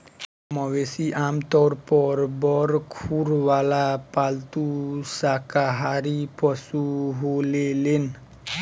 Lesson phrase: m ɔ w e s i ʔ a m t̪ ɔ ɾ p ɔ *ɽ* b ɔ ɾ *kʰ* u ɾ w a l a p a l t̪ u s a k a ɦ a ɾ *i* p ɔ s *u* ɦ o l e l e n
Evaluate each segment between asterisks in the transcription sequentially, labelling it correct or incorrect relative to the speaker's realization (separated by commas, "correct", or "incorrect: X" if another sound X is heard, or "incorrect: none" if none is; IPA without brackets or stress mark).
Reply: incorrect: ɾ, correct, correct, correct